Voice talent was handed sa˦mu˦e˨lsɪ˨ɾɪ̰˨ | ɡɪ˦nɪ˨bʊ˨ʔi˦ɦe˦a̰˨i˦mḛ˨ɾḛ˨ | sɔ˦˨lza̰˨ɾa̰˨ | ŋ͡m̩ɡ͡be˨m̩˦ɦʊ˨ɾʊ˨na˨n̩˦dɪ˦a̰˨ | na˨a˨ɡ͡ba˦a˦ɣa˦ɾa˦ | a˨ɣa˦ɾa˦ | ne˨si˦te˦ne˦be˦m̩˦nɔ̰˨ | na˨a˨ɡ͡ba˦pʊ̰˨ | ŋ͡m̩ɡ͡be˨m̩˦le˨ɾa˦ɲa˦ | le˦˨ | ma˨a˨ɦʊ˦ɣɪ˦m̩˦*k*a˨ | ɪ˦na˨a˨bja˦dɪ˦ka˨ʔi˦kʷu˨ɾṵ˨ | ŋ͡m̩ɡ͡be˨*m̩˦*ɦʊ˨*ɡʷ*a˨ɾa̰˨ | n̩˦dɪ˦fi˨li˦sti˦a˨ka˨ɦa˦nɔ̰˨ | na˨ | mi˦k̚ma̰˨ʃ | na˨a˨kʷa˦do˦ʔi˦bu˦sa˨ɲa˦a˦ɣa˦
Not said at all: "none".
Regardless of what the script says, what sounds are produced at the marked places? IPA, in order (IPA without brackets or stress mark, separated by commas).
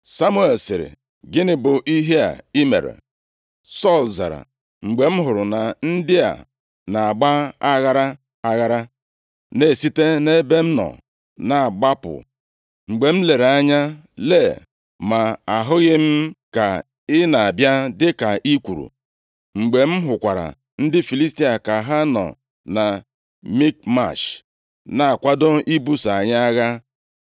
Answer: k, m̩˦, kʷ